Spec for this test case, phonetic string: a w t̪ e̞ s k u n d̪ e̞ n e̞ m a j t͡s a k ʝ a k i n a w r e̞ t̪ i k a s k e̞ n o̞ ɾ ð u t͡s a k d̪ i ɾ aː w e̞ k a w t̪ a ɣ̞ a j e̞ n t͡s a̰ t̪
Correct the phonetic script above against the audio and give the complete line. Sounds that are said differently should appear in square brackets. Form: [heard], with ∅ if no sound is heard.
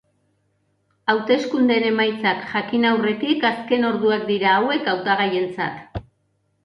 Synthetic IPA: a w t̪ e̞ s k u n d̪ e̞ n e̞ m a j t͡s a k ʝ a k i n a w r e̞ t̪ i k a s k e̞ n o̞ ɾ ð u [∅] a k d̪ i ɾ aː w e̞ k a w t̪ a ɣ̞ a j e̞ n t͡s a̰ t̪